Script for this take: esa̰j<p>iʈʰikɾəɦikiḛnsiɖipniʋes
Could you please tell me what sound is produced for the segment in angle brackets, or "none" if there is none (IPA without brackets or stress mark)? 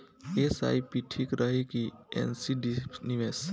p